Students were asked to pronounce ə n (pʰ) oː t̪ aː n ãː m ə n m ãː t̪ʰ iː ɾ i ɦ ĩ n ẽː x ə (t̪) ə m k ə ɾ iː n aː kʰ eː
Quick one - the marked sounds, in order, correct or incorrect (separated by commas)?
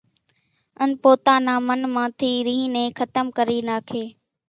incorrect, correct